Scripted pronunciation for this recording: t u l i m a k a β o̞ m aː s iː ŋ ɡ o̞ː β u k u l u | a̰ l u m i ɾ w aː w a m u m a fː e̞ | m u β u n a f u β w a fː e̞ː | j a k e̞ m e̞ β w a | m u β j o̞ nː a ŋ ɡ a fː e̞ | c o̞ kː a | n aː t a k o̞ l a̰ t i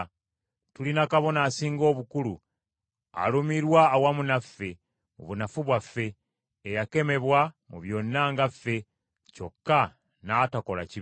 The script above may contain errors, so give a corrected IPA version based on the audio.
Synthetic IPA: t u l i n a k a β o̞ n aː s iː ŋ ɡ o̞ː β u k u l u | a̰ l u m i ɾ w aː w a m u n a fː e̞ | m u β u n a f u β w a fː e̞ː | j a k e̞ m e̞ β w a | m u β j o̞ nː a ŋ ɡ a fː e̞ | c o̞ kː a | n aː t a k o̞ l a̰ c i